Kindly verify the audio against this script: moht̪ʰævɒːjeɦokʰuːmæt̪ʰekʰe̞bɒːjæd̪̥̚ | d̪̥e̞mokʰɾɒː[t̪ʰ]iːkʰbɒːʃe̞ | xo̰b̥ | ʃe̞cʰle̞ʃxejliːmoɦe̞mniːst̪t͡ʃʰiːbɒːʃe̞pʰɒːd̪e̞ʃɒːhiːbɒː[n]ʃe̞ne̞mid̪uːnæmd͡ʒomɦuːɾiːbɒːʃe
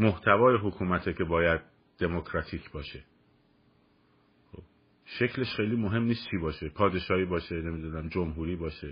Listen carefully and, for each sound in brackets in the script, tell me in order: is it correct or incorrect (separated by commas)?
correct, incorrect